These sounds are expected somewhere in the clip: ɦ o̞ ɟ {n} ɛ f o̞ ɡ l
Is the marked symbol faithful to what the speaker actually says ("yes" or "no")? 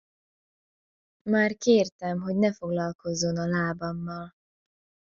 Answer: yes